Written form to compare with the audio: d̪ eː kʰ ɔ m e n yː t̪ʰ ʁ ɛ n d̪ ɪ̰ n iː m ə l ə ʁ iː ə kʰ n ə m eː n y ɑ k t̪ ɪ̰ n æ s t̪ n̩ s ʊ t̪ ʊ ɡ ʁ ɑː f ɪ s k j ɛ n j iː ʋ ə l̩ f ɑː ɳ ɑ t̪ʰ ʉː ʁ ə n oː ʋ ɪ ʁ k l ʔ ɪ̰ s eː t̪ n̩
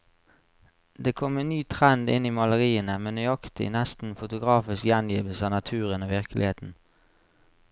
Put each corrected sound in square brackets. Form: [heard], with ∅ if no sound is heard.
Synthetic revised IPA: d̪ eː kʰ ɔ m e n yː t̪ʰ ʁ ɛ n d̪ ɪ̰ n iː m [ɑ] l ə ʁ iː ə [∅] n ə m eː n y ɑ k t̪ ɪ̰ n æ s t̪ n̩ [f] ʊ t̪ ʊ ɡ ʁ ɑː f ɪ s k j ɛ n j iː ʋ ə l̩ [s] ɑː [n] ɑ t̪ʰ ʉː ʁ ə n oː ʋ ɪ ʁ k l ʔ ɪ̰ [h] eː t̪ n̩